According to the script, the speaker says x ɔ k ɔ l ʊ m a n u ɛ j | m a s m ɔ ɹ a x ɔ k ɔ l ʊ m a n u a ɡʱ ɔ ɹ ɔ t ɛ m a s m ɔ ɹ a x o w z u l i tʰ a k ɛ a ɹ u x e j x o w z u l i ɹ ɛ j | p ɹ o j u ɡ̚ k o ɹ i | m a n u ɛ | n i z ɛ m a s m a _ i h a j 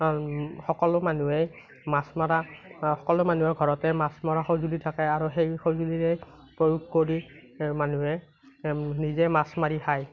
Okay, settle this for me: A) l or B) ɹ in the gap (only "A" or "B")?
B